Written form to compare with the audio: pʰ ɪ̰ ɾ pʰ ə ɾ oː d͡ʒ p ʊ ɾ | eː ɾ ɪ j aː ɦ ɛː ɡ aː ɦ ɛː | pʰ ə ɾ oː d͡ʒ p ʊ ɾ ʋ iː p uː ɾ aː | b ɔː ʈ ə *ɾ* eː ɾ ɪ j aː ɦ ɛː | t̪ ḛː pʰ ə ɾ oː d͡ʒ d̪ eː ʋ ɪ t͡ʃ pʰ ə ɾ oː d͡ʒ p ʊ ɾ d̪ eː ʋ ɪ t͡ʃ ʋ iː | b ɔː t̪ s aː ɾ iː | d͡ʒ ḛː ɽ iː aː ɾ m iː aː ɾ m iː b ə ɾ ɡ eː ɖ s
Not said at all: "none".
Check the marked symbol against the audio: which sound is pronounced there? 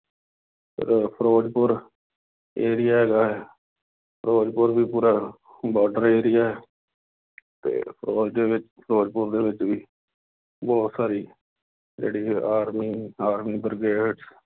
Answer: ɾ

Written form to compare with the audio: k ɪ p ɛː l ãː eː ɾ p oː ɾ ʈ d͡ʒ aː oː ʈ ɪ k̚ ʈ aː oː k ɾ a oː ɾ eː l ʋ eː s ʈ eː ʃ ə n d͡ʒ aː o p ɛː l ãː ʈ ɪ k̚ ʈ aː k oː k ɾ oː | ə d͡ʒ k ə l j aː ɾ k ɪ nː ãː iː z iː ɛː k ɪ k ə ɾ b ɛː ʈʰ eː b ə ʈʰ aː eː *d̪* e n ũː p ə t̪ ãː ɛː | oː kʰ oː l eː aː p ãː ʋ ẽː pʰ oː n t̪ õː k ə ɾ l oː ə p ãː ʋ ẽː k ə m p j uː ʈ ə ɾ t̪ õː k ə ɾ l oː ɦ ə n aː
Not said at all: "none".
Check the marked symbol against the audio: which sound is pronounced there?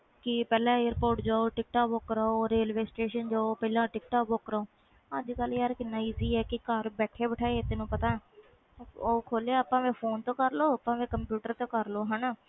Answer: t̪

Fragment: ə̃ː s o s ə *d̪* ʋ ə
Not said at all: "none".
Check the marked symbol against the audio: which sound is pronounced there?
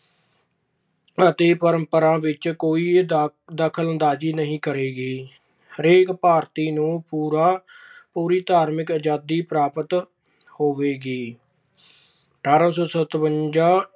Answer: t̪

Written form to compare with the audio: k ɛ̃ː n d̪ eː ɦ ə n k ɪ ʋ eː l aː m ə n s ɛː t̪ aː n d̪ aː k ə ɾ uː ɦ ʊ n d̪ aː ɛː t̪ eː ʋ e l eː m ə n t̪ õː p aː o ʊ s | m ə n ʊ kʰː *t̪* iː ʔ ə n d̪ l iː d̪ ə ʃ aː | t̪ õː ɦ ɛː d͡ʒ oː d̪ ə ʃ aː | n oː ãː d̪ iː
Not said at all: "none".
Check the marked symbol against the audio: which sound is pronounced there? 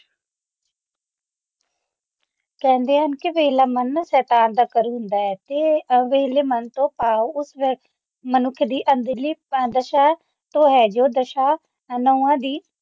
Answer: d̪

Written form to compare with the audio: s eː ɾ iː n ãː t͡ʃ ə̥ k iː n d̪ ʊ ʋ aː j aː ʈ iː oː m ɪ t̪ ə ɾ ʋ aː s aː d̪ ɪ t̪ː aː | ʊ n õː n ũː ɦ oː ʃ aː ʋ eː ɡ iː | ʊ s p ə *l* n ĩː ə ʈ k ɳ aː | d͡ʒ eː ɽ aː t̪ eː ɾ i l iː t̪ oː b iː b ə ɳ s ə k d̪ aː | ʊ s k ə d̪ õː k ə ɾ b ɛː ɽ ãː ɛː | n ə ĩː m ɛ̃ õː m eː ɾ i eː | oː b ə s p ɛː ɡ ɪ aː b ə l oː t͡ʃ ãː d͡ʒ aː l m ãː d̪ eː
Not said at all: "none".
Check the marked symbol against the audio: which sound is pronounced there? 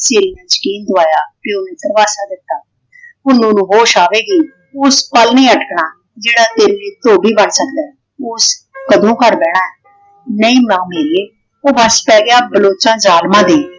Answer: l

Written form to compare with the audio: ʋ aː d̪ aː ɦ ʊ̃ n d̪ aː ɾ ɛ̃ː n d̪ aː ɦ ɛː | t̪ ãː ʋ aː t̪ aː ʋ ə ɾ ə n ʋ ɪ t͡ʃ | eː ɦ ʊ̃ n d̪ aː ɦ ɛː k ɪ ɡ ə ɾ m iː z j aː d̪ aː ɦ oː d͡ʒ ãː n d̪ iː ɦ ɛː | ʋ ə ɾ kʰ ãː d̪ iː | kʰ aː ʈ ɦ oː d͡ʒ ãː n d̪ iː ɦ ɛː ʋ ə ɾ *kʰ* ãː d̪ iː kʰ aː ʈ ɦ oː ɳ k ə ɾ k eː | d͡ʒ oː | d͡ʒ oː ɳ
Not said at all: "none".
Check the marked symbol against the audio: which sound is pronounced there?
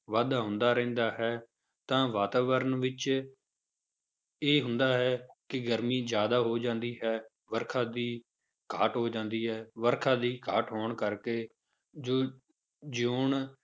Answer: kʰ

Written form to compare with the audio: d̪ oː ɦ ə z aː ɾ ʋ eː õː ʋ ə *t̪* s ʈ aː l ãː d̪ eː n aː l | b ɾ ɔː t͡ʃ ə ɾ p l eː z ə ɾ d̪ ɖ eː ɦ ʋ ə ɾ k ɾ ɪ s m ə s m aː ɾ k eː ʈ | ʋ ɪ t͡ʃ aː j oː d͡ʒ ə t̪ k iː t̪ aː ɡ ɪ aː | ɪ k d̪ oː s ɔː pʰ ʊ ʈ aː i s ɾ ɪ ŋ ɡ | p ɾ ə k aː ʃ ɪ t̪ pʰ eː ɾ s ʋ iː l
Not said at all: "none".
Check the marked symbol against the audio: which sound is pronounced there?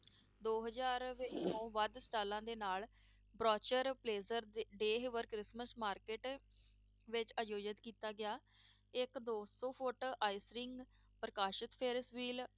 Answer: d̪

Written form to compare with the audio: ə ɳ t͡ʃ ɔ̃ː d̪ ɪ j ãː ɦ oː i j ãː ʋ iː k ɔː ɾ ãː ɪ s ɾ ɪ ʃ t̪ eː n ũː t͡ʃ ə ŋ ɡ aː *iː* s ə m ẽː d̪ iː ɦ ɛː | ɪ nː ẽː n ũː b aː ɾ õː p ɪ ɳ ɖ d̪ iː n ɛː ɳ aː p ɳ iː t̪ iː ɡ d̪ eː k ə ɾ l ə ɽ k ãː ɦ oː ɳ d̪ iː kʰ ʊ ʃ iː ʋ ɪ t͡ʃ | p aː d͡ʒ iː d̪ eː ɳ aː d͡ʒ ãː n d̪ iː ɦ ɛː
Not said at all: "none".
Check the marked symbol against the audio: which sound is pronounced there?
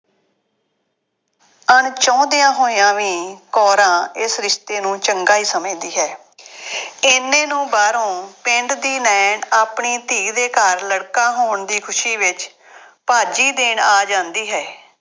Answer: iː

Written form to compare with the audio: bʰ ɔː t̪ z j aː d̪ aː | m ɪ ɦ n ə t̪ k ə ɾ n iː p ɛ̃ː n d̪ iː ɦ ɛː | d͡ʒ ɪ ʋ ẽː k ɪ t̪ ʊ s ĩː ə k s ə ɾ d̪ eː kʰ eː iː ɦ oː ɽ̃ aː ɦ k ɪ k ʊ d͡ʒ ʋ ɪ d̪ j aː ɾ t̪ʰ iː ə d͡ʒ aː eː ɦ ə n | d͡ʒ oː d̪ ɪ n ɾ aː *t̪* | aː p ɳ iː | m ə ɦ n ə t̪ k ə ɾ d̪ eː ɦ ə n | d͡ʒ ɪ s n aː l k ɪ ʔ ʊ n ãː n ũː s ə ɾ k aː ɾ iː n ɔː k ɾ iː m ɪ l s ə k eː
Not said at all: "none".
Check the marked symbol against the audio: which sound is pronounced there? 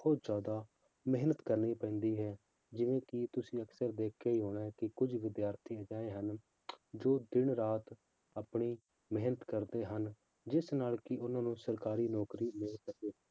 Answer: t̪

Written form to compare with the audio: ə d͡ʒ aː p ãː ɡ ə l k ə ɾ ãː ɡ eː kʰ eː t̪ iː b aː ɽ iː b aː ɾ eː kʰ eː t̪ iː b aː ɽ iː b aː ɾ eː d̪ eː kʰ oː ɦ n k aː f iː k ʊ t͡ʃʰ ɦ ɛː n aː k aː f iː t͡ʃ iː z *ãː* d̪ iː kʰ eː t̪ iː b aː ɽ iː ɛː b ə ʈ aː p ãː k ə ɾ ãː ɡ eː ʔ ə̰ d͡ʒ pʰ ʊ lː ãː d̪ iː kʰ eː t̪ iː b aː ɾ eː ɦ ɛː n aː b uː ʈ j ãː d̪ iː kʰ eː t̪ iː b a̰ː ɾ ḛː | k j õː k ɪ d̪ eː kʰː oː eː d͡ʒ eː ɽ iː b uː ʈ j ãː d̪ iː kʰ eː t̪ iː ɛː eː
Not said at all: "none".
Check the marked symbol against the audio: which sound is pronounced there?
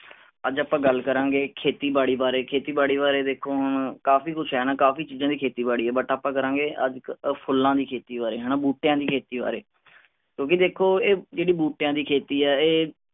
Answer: ãː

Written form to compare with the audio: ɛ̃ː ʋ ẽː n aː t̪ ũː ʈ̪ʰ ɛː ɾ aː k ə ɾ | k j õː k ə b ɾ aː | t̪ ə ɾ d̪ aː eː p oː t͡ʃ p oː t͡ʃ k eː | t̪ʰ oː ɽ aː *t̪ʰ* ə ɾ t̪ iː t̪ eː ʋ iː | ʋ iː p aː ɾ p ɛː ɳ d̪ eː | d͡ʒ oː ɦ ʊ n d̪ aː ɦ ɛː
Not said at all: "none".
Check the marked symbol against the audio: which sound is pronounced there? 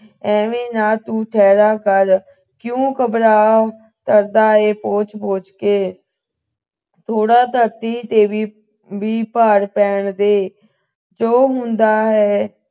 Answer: t̪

